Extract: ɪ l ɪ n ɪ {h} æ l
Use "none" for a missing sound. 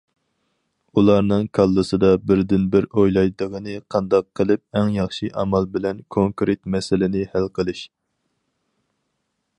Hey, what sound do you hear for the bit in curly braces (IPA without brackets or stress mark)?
h